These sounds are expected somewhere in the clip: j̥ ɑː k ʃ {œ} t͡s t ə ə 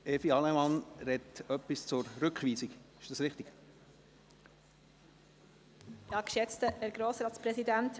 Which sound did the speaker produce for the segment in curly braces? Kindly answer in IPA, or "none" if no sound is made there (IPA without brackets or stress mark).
ɛ